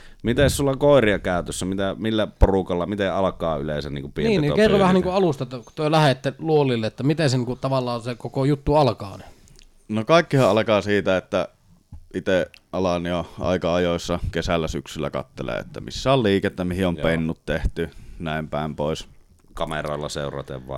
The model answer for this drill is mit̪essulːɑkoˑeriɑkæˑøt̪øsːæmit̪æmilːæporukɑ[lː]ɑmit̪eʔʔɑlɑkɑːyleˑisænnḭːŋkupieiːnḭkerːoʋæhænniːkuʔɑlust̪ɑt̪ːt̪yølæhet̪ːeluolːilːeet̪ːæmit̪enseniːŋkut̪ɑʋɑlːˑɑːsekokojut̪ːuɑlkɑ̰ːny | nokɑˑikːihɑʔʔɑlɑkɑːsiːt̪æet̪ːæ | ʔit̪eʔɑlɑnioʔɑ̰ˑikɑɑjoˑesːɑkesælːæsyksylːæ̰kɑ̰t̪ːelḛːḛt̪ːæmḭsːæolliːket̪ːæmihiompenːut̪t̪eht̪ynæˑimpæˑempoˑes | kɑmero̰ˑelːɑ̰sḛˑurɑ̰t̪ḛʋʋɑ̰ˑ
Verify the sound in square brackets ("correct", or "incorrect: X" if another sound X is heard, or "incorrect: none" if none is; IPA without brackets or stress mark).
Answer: correct